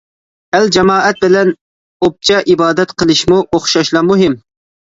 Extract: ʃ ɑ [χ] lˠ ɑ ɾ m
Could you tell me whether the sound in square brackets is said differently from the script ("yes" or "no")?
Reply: yes